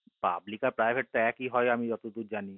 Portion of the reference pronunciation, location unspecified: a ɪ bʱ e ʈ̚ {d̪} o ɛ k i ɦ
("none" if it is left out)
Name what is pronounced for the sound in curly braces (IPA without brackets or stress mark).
t̪